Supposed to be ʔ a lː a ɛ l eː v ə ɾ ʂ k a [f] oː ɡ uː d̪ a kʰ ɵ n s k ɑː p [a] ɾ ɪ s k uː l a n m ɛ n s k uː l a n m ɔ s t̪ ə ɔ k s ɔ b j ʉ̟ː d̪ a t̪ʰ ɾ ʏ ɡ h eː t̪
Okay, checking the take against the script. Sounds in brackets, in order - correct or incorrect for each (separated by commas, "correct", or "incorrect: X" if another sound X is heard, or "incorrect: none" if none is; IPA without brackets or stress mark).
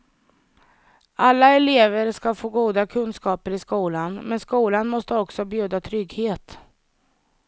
correct, incorrect: ə